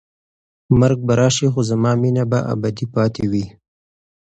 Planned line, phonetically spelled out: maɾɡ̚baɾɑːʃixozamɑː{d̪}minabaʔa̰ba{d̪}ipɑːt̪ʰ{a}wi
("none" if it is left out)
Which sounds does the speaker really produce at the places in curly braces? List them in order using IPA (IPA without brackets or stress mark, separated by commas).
none, d̪, e